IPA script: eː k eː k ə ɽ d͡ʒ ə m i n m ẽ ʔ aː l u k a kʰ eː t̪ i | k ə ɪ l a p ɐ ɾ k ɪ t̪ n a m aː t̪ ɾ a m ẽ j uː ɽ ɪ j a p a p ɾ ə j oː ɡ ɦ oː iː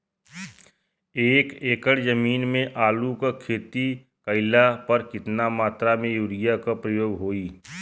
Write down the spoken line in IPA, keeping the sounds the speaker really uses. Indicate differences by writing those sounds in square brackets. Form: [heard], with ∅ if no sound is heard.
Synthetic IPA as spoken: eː k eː k ə ɽ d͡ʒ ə m [iː] n m ẽ ʔ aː l u k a kʰ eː t̪ i | k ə ɪ l a p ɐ ɾ k ɪ t̪ n a m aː t̪ ɾ a m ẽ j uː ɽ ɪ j a [k] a p ɾ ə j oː ɡ ɦ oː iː